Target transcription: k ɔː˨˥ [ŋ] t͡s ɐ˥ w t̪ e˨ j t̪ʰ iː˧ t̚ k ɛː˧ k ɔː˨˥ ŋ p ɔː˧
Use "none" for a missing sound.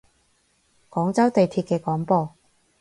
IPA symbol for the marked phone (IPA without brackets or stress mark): ŋ